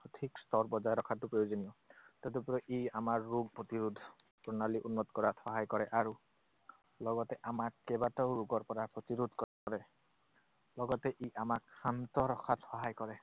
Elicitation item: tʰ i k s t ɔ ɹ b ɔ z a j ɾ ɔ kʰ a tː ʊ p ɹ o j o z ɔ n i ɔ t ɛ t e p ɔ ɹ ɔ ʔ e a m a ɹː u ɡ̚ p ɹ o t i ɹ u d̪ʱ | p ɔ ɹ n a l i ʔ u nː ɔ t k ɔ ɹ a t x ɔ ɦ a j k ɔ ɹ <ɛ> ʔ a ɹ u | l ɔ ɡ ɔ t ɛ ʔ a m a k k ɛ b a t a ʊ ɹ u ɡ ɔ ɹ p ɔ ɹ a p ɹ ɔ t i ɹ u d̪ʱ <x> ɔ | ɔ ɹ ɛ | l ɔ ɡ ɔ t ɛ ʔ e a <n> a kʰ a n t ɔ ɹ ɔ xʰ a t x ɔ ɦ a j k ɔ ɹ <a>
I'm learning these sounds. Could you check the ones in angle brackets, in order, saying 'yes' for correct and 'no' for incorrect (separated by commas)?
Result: yes, no, no, no